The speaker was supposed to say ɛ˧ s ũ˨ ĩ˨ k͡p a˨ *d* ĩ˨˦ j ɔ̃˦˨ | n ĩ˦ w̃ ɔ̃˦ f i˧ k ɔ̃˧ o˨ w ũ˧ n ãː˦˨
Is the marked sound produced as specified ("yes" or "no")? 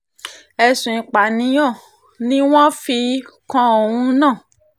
no